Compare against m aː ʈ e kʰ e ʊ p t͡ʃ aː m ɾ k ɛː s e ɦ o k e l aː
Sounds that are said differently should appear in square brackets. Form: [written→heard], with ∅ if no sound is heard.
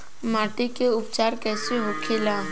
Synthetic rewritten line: m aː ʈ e [kʰ→k] e ʊ p t͡ʃ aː [m→∅] ɾ k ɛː s e ɦ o [k→kʰ] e l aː